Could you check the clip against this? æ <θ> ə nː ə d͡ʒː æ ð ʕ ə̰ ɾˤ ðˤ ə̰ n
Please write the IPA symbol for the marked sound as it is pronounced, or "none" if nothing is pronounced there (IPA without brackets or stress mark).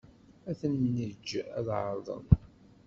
θ